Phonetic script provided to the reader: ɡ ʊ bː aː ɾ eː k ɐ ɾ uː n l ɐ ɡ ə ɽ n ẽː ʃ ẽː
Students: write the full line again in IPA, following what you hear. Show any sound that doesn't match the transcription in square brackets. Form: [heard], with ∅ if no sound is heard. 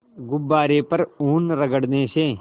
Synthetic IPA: ɡ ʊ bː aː ɾ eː [p] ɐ ɾ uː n [ɾ] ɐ ɡ ə ɽ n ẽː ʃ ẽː